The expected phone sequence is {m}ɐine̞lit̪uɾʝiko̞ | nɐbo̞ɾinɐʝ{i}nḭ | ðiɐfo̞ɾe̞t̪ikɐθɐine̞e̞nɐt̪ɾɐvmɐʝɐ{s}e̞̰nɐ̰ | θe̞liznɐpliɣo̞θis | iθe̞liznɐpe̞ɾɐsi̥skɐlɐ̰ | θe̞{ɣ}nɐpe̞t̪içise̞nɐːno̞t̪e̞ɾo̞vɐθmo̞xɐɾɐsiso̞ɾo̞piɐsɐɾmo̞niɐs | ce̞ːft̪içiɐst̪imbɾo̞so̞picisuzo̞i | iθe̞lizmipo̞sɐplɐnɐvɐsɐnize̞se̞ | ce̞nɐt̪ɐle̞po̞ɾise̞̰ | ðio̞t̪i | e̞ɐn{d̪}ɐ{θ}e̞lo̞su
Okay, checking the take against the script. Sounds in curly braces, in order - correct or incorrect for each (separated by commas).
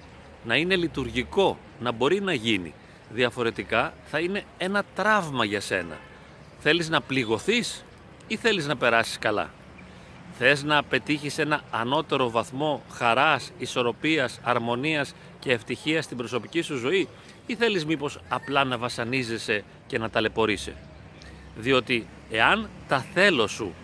incorrect, correct, correct, incorrect, incorrect, correct